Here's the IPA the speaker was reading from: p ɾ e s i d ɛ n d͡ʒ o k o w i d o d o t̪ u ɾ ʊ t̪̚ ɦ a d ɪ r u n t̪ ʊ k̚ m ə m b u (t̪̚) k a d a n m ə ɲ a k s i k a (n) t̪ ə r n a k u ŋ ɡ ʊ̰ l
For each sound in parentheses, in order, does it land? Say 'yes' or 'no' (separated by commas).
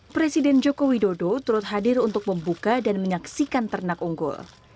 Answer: no, yes